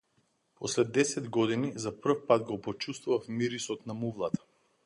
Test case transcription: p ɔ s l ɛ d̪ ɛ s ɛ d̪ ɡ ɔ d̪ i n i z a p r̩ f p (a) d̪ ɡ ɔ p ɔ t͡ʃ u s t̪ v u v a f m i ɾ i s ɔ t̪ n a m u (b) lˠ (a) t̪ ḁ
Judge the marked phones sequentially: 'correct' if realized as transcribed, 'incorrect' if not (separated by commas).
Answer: correct, incorrect, correct